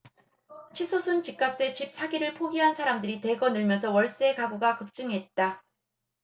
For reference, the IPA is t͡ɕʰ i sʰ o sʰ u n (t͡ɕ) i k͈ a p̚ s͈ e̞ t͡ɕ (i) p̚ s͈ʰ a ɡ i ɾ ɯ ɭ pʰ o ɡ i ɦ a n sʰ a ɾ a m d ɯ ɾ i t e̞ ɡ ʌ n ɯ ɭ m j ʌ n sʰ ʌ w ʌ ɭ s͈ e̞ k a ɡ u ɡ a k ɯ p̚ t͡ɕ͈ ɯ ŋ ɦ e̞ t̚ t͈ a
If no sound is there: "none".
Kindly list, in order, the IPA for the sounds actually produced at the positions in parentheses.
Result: t͡ɕ, i

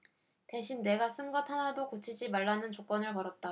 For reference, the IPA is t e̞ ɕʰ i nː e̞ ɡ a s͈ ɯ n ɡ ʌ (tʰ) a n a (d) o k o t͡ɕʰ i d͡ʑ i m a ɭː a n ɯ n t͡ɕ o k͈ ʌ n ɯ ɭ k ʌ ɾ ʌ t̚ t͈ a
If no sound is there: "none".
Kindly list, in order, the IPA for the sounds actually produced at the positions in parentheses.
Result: tʰ, d

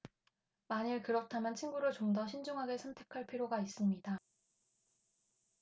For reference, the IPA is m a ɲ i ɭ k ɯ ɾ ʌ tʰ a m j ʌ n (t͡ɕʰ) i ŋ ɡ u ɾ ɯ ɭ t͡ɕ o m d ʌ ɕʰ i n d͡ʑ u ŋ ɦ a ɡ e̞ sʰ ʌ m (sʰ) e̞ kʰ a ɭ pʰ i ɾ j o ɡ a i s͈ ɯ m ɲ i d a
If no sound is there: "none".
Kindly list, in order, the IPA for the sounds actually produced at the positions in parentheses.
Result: t͡ɕʰ, tʰ

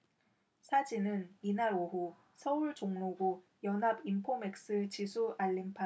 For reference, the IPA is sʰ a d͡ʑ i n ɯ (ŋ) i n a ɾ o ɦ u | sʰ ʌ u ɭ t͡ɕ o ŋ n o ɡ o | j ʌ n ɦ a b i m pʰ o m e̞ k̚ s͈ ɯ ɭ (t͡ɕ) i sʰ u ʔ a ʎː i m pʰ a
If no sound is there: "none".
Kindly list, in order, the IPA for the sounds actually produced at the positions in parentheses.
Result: n, t͡ɕ

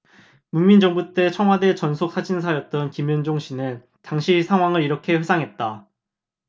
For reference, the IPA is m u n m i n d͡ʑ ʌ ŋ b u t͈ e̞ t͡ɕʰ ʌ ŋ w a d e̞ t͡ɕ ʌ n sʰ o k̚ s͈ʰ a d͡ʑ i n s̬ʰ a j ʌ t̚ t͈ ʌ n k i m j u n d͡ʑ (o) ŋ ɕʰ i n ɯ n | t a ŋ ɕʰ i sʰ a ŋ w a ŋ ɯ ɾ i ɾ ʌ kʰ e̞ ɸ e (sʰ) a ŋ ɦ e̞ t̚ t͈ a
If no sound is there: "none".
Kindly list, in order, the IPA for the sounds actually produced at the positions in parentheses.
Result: o, sʰ

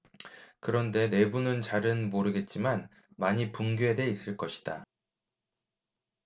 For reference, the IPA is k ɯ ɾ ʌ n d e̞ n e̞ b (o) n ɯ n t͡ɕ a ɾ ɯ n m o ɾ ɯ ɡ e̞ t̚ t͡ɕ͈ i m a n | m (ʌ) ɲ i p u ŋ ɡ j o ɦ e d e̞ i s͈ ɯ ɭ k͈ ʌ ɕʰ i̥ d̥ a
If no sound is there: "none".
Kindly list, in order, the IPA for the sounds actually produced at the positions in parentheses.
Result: u, a

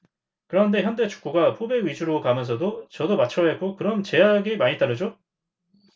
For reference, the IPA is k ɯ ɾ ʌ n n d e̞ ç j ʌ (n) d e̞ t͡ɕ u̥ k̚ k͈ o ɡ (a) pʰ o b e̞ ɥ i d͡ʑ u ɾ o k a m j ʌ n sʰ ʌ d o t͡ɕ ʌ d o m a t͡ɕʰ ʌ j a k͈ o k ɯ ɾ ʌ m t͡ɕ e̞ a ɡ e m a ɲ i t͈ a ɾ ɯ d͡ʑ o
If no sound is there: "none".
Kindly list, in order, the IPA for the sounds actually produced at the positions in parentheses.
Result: n, a

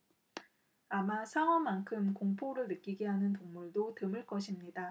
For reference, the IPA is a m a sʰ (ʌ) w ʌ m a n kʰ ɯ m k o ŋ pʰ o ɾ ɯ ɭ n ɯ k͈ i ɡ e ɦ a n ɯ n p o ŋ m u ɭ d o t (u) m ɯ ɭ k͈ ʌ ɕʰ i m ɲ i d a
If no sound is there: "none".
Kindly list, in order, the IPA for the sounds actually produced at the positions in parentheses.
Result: a, ɯ

